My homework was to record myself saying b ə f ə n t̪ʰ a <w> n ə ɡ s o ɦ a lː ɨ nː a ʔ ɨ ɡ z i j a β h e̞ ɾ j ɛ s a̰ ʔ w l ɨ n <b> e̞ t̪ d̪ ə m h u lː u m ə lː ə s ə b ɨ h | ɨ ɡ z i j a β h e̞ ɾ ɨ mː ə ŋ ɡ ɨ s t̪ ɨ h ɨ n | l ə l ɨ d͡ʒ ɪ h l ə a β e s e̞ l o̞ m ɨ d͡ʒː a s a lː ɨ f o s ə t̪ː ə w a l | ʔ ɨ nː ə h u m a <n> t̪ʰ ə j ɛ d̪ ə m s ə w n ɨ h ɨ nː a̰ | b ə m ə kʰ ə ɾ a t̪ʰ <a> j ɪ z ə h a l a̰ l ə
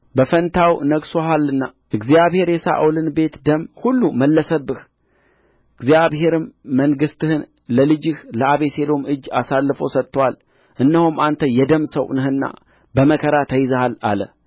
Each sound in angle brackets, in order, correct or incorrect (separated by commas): correct, correct, correct, incorrect